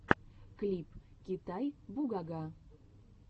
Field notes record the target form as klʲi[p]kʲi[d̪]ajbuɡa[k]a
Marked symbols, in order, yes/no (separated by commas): yes, no, no